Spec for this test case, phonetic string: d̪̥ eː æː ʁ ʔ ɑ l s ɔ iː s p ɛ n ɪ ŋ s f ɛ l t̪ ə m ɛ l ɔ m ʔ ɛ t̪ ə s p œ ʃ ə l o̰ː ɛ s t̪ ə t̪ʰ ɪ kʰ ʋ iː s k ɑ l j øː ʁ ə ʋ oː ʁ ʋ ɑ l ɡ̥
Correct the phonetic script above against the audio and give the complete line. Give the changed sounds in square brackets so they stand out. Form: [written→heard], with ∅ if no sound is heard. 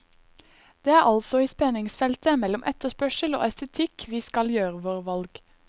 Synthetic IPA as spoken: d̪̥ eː æː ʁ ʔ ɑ l s ɔ iː s p ɛ n ɪ ŋ s f ɛ l t̪ ə m ɛ l ɔ m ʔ ɛ t̪ ə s p œ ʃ ə l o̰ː ɛ s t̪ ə t̪ʰ ɪ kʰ ʋ iː s k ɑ l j øː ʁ ə ʋ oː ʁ ʋ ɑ l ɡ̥